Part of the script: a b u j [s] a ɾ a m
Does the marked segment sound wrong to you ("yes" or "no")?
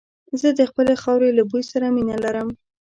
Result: no